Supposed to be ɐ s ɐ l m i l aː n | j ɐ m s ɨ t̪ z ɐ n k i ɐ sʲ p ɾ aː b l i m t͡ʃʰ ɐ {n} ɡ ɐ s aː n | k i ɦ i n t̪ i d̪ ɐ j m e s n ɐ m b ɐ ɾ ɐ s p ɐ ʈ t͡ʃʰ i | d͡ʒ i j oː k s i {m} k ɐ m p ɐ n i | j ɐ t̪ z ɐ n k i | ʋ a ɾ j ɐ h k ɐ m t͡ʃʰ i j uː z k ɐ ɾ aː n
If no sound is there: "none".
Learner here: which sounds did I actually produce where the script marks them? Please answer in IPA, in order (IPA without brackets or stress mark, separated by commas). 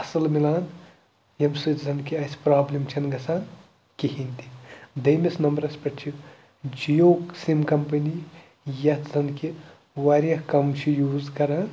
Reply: n, m